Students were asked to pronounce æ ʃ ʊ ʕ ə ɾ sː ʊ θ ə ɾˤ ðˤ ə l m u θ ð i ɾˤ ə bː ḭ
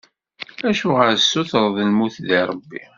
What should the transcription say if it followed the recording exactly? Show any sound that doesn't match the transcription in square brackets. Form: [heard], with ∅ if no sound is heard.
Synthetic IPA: æ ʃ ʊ [ʁ] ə ɾ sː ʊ θ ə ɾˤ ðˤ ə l m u θ ð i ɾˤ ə bː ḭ